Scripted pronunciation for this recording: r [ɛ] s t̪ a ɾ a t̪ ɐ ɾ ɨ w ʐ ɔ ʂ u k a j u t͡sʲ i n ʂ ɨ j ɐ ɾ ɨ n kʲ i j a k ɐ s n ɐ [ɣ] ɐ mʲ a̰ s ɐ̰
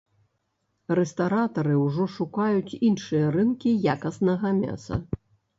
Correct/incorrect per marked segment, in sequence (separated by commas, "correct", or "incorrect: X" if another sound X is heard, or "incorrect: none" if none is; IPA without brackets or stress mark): correct, correct